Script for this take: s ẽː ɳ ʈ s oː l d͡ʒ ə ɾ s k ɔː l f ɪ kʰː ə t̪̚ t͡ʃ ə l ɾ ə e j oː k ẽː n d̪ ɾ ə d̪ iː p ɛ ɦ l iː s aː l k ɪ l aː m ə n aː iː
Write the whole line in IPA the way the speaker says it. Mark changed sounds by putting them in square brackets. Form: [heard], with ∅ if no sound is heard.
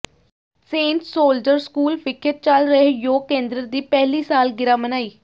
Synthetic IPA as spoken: s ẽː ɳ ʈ s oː l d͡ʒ ə ɾ s k [uː] l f ɪ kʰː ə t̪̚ t͡ʃ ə l ɾ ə e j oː k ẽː n d̪ ɾ ə d̪ iː p ɛ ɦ l iː s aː l [ɡ] ɪ [ɾ] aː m ə n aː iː